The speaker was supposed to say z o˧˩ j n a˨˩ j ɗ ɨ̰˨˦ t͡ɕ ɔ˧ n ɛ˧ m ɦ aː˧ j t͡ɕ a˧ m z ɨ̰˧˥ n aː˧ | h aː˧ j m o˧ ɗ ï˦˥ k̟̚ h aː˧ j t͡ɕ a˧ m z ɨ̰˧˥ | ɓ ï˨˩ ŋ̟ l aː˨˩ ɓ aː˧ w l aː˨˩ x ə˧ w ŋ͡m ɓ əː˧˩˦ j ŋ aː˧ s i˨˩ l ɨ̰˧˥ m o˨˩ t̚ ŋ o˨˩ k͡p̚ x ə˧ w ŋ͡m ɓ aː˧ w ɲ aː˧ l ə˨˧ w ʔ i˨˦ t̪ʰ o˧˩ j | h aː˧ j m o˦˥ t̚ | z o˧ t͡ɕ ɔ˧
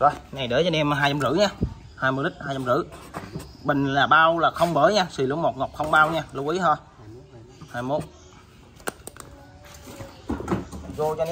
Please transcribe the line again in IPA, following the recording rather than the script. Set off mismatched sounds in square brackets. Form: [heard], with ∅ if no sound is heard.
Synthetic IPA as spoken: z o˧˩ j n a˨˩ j ɗ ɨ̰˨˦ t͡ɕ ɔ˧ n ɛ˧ m ɦ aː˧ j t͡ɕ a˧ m z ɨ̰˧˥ [ɲ] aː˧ | h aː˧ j m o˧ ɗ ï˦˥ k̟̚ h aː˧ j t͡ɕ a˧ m z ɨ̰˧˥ | ɓ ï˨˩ ŋ̟ l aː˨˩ ɓ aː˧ w l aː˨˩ x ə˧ w ŋ͡m ɓ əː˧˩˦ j [ɲ] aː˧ s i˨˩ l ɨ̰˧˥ m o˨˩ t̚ ŋ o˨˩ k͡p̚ x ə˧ w ŋ͡m ɓ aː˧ w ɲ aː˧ l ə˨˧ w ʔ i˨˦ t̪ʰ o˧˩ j | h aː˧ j m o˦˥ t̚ | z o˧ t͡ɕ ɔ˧